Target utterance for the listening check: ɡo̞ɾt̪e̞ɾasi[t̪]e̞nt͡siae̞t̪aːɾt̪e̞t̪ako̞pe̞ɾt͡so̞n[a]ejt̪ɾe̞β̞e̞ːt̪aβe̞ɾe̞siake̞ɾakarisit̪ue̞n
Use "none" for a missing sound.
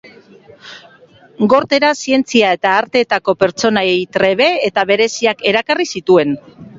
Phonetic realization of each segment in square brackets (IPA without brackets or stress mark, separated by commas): none, a